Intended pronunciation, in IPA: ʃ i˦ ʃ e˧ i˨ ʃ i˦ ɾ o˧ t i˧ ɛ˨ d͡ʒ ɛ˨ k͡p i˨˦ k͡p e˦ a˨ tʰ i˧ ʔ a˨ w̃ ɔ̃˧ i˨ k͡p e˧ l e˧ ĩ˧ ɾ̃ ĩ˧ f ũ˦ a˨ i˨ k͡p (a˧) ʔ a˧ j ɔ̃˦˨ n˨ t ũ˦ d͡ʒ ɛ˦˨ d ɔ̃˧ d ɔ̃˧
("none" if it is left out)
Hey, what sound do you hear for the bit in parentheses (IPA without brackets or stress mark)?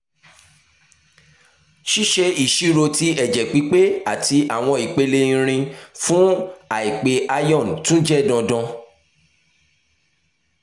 e˧